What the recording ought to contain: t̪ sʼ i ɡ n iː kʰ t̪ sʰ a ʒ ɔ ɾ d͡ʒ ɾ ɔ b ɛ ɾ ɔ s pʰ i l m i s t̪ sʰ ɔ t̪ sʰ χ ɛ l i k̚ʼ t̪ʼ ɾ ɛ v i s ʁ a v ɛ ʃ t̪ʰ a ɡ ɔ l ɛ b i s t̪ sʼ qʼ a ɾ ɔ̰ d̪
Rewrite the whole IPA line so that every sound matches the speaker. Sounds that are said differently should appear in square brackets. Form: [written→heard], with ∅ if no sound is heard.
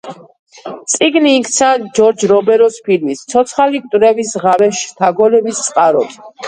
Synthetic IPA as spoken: t̪ sʼ i ɡ n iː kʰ t̪ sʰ a [ʒ→d͡ʒ] ɔ ɾ d͡ʒ ɾ ɔ b ɛ ɾ ɔ s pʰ i l m i s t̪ sʰ ɔ t̪ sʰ χ [ɛ→a] l i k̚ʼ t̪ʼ ɾ ɛ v i s ʁ a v ɛ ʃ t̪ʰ a ɡ ɔ l ɛ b i s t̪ sʼ qʼ a ɾ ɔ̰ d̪